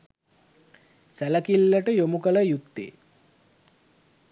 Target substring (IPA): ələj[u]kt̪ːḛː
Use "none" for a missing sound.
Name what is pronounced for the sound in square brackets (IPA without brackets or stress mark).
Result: u